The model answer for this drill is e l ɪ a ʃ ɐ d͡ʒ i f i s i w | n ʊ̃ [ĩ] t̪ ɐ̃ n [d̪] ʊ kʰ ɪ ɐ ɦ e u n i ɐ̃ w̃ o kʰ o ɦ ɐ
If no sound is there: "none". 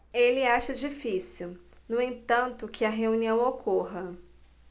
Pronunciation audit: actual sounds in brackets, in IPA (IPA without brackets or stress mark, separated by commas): ẽ, t̪